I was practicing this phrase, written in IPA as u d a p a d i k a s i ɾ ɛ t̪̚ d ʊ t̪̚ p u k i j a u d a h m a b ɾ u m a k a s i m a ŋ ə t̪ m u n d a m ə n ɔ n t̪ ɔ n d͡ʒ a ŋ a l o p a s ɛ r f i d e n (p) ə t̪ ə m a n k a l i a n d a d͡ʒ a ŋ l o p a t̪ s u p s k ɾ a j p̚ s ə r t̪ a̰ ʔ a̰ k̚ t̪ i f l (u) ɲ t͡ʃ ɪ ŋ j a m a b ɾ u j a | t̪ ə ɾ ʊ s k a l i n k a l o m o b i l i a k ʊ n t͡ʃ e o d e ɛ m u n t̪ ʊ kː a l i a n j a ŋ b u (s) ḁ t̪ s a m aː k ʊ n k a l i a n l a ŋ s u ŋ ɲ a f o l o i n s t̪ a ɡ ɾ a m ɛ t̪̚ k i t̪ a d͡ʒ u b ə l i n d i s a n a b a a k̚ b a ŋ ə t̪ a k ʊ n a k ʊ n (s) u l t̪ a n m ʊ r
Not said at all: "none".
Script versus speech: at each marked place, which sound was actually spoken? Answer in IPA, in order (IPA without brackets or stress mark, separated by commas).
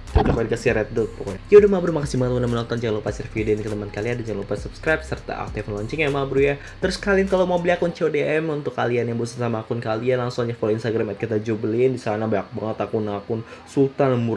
k, ɔ, s, s